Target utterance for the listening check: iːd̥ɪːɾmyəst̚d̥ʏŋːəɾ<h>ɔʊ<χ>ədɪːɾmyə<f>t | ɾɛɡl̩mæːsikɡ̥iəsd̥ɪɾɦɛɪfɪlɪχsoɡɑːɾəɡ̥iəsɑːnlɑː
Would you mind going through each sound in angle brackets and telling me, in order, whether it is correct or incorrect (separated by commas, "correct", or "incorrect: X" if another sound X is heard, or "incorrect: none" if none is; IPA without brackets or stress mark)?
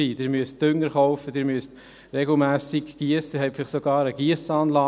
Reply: incorrect: χ, incorrect: f, incorrect: s